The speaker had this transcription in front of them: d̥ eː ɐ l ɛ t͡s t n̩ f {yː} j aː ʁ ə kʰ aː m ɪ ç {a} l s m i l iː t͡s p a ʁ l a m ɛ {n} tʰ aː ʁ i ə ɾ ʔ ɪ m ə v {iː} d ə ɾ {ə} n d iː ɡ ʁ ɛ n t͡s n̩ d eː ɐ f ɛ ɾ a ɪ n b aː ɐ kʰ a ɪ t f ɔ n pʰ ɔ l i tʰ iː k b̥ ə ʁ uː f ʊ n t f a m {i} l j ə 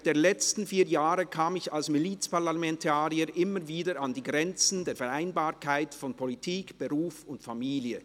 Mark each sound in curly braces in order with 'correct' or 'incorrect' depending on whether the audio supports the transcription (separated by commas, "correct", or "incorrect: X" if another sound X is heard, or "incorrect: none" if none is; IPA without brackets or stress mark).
incorrect: iː, correct, correct, correct, incorrect: a, incorrect: iː